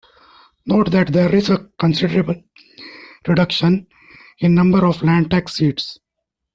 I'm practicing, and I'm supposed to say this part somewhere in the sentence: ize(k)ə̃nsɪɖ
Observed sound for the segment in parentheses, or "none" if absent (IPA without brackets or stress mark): k